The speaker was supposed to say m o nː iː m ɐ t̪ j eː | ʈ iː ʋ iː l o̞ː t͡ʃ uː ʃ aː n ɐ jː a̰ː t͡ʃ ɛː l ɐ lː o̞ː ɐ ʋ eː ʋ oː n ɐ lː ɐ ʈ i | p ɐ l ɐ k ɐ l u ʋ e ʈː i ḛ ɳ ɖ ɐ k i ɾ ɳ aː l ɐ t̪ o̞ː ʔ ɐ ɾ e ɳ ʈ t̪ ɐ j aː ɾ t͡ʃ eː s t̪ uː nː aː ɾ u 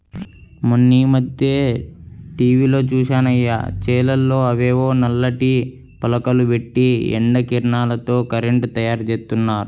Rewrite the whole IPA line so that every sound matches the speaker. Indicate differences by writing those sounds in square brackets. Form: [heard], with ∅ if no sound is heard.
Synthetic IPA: m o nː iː m ɐ [d̪] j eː | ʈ iː ʋ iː l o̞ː t͡ʃ uː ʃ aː n ɐ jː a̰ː t͡ʃ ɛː l ɐ lː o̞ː ɐ ʋ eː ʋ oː n ɐ lː ɐ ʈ i | p ɐ l ɐ k ɐ l u ʋ e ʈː i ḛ ɳ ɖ ɐ k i ɾ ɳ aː l ɐ t̪ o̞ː [k] ɐ ɾ e ɳ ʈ t̪ ɐ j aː ɾ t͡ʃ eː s t̪ [u] nː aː ɾ u